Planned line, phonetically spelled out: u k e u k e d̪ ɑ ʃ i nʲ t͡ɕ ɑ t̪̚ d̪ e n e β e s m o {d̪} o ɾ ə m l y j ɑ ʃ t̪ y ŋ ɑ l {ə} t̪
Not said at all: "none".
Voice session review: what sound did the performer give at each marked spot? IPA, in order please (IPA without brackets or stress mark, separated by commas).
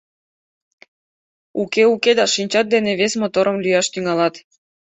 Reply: t̪, ɑ